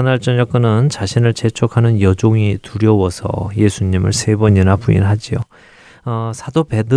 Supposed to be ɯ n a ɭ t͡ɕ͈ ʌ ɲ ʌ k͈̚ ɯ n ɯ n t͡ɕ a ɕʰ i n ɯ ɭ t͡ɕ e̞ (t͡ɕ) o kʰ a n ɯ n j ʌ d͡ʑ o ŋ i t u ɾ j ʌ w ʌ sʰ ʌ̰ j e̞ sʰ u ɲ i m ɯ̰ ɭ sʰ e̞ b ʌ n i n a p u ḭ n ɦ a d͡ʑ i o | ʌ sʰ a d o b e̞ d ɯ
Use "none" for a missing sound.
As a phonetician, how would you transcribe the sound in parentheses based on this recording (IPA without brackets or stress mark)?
t͡ɕʰ